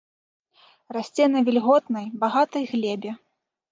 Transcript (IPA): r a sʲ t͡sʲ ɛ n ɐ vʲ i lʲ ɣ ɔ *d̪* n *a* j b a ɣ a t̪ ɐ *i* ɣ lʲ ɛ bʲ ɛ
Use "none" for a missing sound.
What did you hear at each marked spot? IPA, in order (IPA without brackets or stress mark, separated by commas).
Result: t̪, ɐ, j